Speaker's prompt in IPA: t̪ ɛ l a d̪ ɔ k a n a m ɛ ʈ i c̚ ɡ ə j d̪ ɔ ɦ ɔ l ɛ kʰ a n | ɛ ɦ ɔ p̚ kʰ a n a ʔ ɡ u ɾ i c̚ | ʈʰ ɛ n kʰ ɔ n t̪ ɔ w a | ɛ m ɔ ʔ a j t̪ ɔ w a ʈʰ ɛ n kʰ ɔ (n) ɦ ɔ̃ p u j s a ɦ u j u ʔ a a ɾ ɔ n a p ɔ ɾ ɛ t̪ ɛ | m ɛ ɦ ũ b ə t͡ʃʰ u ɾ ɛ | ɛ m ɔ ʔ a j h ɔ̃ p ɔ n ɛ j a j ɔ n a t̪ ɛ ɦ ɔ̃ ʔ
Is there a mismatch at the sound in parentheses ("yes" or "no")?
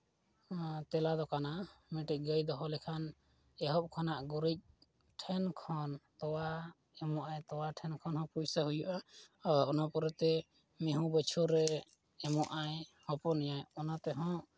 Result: no